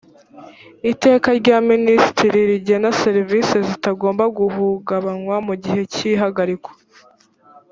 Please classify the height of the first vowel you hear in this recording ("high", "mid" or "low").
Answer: high